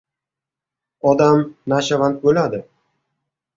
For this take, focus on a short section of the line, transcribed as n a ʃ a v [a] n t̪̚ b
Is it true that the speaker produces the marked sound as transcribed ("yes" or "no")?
yes